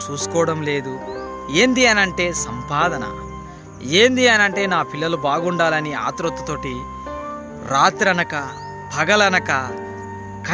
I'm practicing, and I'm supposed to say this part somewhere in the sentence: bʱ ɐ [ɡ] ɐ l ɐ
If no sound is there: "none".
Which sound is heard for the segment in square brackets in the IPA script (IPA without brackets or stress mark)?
ɡ